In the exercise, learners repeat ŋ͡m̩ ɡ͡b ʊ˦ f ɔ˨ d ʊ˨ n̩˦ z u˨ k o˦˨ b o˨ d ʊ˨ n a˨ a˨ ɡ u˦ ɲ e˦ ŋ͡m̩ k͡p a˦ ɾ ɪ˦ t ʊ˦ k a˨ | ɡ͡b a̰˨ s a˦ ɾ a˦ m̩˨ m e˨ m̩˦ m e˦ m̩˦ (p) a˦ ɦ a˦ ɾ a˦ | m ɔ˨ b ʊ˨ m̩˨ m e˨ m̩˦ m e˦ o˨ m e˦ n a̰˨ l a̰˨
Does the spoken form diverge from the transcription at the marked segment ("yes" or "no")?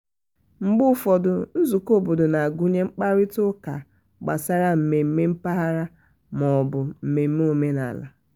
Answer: no